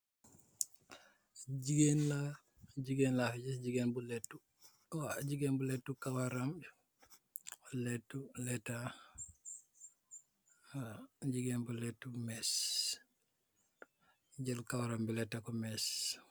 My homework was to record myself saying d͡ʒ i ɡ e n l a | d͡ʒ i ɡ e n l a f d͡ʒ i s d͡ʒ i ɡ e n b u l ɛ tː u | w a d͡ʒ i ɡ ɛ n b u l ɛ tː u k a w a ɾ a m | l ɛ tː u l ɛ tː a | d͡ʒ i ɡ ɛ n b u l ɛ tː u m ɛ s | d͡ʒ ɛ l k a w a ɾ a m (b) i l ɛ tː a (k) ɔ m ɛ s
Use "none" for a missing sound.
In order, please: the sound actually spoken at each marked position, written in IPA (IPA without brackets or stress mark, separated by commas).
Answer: b, k